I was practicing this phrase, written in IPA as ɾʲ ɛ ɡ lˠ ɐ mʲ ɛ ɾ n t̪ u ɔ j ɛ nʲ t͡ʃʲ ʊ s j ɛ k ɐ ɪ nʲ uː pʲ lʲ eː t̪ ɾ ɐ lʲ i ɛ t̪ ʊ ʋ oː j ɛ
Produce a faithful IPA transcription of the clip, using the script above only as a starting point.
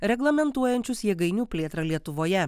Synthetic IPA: ɾʲ ɛ ɡ lˠ ɐ mʲ ɛ n t̪ u ɔ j ɛ nʲ t͡ʃʲ ʊ s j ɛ ɡ ɐ ɪ nʲ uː pʲ lʲ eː t̪ ɾ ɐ lʲ i ɛ t̪ ʊ ʋ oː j ɛ